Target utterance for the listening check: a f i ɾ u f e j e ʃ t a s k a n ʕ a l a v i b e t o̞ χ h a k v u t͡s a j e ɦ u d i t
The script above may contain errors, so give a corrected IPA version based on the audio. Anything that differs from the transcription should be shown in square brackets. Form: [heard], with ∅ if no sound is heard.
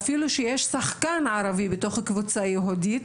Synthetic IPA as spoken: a f i [l] u [ʃ] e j e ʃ [s] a [χ] k a n ʕ a [ɾ] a v i b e t o̞ χ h a k v u t͡s a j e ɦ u d i t